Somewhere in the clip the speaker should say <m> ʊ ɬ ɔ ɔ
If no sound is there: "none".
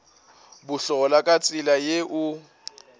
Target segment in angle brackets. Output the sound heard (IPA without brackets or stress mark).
b